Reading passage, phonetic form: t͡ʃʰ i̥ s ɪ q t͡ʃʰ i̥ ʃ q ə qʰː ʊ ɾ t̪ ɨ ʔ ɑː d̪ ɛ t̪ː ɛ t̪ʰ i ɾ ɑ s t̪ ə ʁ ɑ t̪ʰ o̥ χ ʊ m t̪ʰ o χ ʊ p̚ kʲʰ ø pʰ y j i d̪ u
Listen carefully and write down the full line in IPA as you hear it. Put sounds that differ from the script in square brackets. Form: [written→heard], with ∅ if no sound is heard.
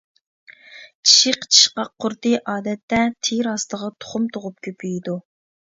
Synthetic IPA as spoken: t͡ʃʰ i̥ [s→ʃ] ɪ q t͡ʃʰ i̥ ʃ q [ə→ɑ] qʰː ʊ ɾ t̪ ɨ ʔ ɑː d̪ ɛ t̪ː ɛ t̪ʰ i ɾ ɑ s t̪ ə ʁ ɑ t̪ʰ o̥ χ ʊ m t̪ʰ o [χ→ʁ] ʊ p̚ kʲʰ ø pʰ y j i d̪ u

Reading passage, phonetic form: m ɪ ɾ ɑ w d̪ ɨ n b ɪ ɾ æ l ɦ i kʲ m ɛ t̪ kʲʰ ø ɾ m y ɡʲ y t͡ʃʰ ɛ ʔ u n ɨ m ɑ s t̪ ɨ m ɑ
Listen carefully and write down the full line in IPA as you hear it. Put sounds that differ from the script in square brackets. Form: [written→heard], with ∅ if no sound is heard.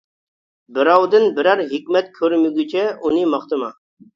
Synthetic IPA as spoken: [m→b] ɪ ɾ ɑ w d̪ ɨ n b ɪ ɾ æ [l→ɾ] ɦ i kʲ m ɛ t̪ kʲʰ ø ɾ m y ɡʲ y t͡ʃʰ ɛ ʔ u n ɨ m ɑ [s→χ] t̪ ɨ m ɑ

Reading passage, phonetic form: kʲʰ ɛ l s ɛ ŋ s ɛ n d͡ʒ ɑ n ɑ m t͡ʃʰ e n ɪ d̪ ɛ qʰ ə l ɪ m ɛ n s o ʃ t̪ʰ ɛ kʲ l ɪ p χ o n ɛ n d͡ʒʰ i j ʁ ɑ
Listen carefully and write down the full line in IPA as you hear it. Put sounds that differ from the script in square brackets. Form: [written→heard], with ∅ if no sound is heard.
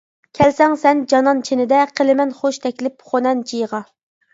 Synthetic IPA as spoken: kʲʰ ɛ l s ɛ ŋ s ɛ n d͡ʒ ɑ n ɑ [m→n] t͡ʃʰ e n ɪ d̪ ɛ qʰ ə l ɪ m ɛ n [s→χ] o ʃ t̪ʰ ɛ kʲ l ɪ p χ o n ɛ n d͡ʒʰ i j ʁ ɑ

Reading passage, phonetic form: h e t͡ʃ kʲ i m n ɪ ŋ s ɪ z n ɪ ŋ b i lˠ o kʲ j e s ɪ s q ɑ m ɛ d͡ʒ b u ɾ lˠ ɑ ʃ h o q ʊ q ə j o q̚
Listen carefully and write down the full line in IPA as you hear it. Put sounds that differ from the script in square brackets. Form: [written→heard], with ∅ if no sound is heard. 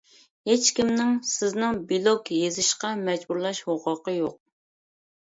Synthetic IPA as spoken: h e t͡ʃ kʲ i m n ɪ ŋ s ɪ z n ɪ ŋ b i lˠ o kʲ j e [s→z] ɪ [s→ʃ] q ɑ m ɛ d͡ʒ b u ɾ lˠ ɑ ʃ h o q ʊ q ə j o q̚

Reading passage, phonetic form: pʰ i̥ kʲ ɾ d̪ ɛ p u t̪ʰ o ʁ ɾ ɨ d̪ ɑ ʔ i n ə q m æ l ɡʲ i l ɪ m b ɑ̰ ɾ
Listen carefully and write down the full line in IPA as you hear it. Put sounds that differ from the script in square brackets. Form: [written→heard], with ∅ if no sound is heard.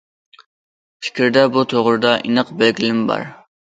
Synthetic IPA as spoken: pʰ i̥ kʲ ɾ d̪ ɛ [p→b] u t̪ʰ o ʁ ɾ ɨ d̪ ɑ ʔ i n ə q [m→b] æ l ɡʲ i l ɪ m b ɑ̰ ɾ

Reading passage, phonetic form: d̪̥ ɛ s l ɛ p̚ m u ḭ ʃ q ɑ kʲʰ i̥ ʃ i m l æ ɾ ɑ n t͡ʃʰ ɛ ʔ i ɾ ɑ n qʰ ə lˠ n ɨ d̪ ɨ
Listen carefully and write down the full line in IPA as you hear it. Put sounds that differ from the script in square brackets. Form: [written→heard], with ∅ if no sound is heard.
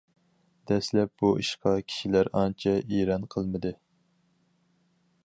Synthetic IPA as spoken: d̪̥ ɛ s l ɛ p̚ [m→b] u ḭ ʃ q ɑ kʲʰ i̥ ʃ i [m→∅] l æ ɾ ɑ n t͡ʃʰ ɛ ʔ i ɾ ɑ n qʰ ə lˠ [n→m] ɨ d̪ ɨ

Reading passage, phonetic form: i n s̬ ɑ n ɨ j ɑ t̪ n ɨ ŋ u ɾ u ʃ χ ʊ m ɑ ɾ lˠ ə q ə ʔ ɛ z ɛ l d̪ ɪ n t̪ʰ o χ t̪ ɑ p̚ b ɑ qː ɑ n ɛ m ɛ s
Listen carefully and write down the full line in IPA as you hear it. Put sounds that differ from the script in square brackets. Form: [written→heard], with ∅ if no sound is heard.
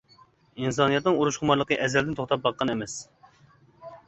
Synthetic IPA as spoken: i n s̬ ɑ n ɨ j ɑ t̪ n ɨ ŋ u ɾ u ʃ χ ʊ m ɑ ɾ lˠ ə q ə ʔ ɛ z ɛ l d̪ ɪ n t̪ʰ o χ t̪ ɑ p̚ b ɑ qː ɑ n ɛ m ɛ s

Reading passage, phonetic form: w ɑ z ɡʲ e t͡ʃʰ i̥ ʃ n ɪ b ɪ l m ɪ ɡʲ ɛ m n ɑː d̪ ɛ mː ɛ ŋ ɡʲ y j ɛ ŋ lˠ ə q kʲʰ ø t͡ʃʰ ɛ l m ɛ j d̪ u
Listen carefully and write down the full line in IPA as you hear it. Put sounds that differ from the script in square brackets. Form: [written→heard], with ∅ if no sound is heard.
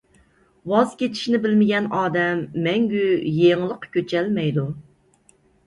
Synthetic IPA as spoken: w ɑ z [ɡʲ→kʲ] e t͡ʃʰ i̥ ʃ n ɪ b ɪ l m ɪ ɡʲ ɛ [m→∅] n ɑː d̪ ɛ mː ɛ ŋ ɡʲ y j [ɛ→e] ŋ lˠ ə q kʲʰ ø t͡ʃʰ ɛ l m ɛ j d̪ u

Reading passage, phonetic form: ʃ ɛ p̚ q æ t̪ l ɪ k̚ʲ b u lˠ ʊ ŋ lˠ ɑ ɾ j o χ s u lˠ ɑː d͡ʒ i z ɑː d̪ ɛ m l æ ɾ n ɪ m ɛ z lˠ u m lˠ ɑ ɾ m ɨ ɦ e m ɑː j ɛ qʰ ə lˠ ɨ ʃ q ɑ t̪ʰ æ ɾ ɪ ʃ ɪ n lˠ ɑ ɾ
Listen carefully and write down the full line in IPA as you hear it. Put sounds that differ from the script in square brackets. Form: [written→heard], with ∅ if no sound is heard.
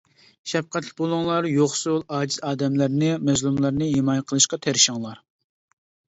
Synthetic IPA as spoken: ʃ ɛ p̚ q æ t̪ l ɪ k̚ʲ b [u→o] lˠ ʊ ŋ lˠ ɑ ɾ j o χ s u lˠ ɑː d͡ʒ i z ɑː d̪ ɛ m l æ ɾ n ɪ m ɛ z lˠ u m lˠ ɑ ɾ [m→n] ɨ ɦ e m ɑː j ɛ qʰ ə lˠ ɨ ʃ q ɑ t̪ʰ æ ɾ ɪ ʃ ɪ [n→ŋ] lˠ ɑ ɾ

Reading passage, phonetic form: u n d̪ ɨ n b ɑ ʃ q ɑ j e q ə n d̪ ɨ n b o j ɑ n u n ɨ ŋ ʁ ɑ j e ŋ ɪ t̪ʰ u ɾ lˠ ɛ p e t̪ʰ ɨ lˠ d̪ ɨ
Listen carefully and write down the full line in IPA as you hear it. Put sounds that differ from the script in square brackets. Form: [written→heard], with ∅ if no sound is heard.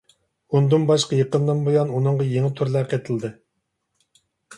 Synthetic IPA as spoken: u n d̪ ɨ n b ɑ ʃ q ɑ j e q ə n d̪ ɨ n b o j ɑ n u n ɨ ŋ ʁ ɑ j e ŋ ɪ t̪ʰ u ɾ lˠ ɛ [p→q] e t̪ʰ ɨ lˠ d̪ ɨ

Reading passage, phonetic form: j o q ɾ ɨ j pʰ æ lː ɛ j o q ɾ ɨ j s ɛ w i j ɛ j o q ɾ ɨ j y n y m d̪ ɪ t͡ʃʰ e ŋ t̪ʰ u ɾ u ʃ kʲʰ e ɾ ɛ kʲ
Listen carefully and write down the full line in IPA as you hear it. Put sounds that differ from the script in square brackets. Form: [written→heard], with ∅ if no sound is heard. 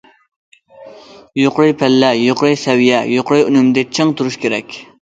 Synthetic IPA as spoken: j o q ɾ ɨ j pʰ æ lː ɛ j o q ɾ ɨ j s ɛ w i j ɛ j o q ɾ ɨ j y n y m d̪ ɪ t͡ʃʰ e ŋ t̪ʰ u ɾ u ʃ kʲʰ e ɾ ɛ kʲ

